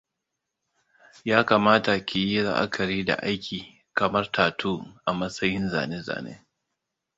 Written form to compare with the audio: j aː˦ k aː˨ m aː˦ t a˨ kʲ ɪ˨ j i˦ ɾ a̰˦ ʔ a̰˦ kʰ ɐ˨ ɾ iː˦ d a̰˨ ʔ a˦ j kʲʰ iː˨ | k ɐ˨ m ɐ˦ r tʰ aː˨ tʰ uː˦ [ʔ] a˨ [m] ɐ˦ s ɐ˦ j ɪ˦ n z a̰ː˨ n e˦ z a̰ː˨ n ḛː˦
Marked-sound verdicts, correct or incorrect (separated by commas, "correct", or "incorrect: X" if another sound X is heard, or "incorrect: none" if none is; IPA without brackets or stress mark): correct, correct